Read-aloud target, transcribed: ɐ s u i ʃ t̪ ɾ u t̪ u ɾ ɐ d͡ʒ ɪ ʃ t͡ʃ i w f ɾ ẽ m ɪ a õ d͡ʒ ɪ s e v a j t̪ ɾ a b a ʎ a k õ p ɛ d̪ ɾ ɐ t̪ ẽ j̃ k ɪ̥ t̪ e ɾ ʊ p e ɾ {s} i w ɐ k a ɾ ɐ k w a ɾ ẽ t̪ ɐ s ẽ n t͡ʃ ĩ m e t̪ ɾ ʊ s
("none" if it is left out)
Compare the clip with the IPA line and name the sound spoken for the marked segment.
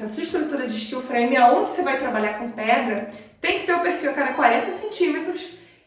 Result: f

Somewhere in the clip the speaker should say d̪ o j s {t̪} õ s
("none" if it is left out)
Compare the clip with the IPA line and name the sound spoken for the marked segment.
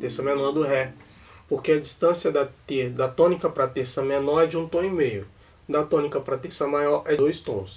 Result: t̪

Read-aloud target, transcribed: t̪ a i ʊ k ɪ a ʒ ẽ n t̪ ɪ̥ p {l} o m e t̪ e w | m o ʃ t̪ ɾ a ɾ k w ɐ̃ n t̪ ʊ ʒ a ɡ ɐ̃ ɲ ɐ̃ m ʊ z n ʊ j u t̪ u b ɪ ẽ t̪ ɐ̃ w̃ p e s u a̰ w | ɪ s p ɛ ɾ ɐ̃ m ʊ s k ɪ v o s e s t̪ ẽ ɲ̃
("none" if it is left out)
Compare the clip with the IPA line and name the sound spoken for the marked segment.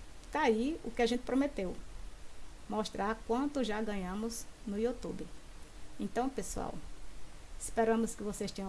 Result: ɾ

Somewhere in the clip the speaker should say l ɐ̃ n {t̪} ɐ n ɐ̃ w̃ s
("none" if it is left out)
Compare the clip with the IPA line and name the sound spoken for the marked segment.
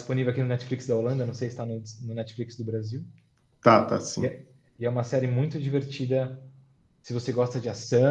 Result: d̪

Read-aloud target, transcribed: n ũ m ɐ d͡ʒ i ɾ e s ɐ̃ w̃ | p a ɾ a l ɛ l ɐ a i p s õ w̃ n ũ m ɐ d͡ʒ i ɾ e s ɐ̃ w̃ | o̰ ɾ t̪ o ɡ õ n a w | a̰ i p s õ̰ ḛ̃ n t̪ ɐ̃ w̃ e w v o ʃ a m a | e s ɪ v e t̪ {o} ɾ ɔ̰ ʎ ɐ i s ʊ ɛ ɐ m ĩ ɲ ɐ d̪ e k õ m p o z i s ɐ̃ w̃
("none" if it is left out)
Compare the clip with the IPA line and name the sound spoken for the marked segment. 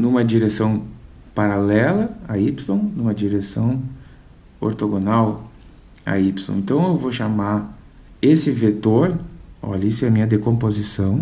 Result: o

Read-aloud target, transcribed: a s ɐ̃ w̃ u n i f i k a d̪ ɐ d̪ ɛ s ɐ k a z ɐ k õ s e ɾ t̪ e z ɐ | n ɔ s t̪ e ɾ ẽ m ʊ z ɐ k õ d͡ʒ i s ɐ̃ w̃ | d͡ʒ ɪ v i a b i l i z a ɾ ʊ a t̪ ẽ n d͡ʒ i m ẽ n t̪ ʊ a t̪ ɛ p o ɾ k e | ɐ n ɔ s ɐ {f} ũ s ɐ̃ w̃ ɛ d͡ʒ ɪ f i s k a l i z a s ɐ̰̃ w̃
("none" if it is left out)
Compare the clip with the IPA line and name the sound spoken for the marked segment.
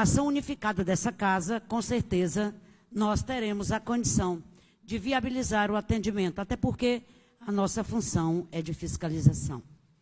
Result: f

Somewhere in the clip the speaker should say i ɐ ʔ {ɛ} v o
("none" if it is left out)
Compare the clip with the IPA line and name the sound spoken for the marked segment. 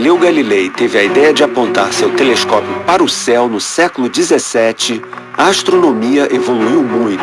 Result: e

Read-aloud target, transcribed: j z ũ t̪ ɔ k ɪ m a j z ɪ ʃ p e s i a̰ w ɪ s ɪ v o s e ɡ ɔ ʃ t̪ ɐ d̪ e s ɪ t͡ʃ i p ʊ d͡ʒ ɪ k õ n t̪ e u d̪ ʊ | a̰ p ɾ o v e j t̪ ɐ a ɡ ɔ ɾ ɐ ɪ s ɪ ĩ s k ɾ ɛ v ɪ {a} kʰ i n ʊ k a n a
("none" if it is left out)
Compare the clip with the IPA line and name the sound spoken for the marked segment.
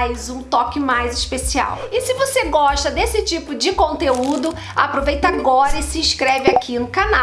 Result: a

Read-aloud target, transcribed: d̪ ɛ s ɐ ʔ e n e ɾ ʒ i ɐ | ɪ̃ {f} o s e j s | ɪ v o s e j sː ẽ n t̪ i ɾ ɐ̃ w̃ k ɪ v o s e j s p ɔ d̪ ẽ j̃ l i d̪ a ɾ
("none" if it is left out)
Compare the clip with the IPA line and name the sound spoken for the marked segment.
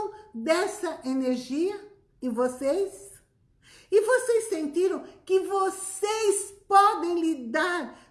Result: v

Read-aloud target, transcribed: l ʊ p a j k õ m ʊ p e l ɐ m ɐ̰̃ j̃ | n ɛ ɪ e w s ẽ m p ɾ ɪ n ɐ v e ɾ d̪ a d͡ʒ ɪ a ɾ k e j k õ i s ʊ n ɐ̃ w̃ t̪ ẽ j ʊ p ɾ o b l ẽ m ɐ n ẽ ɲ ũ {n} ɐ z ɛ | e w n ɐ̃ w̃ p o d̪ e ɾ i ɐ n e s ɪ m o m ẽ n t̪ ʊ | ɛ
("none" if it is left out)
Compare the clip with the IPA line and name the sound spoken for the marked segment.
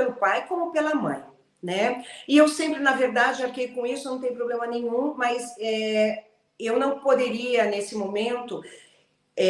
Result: m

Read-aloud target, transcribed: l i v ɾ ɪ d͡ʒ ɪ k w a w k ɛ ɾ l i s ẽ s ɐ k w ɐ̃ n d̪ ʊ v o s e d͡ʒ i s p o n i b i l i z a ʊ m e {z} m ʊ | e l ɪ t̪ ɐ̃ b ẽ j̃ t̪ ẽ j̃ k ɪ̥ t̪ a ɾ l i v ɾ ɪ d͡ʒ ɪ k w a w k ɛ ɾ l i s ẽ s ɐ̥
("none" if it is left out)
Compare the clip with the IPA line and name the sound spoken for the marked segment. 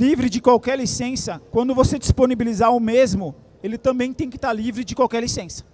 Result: z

